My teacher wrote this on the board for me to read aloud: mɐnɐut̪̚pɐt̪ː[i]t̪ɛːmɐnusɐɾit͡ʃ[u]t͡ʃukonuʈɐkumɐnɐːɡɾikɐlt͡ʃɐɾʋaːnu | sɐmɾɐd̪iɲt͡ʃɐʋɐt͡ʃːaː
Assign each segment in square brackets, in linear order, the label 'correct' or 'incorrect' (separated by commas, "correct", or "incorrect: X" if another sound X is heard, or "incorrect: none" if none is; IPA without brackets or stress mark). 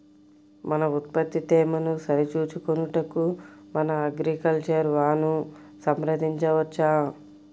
correct, incorrect: uː